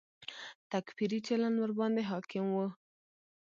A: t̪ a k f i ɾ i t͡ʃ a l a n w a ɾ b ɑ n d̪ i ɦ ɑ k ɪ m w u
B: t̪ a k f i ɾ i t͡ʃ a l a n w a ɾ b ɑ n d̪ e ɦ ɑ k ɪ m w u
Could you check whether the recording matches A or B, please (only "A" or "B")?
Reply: B